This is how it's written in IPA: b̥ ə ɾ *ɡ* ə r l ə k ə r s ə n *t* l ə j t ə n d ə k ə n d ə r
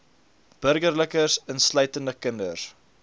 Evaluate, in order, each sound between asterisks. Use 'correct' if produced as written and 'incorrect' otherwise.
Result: correct, incorrect: s

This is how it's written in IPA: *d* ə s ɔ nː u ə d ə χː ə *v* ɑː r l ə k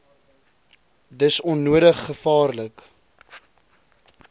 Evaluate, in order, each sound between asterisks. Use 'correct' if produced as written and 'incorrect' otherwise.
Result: correct, incorrect: f

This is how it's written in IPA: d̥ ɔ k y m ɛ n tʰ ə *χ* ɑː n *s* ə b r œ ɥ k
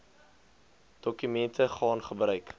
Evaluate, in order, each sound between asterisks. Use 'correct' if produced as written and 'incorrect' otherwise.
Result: correct, incorrect: χ

